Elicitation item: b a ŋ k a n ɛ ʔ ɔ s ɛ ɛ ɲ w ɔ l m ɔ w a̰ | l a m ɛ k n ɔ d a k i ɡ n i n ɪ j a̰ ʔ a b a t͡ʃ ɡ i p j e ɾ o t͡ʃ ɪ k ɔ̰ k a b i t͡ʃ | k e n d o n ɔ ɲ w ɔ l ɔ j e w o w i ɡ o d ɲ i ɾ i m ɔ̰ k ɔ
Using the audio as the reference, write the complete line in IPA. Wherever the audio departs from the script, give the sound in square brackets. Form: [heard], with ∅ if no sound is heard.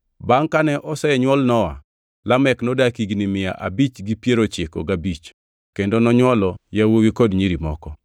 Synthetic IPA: b a ŋ k a n ɛ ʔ ɔ s ɛ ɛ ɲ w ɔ l [n] ɔ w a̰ | l a m ɛ k n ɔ d a k i ɡ n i [m] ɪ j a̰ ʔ a b [i] t͡ʃ ɡ i p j e ɾ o t͡ʃ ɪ k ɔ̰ [ɡ] a b i t͡ʃ | k e n d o n ɔ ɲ w ɔ l ɔ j [a] w o w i [k] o d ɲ i ɾ i m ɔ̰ k ɔ